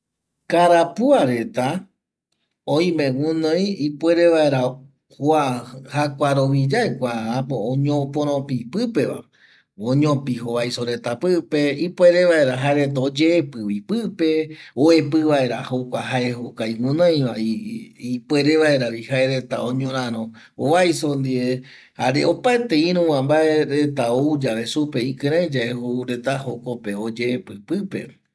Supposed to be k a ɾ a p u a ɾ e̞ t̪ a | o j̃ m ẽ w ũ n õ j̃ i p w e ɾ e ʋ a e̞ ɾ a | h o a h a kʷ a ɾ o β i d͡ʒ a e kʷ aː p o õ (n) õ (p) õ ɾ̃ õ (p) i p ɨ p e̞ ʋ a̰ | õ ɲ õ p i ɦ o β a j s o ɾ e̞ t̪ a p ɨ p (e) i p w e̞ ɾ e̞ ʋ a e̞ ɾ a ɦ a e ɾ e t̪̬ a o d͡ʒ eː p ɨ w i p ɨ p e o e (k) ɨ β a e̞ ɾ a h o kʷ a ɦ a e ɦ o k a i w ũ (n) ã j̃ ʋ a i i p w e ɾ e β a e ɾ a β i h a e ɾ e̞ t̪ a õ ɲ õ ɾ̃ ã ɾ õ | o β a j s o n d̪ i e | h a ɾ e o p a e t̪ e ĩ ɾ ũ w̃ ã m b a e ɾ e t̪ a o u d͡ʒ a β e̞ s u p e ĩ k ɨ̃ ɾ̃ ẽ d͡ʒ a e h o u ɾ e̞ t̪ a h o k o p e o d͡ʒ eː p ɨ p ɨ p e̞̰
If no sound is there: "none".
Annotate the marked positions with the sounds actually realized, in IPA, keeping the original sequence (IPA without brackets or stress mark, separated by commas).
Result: ɲ, p, p, e, p, n